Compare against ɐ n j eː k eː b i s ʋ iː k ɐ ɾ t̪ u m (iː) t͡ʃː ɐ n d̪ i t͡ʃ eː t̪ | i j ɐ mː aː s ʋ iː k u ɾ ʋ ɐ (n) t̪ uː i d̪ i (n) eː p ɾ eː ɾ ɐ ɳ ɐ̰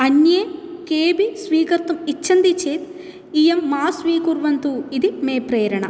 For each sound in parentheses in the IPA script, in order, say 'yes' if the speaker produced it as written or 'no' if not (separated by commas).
no, yes, no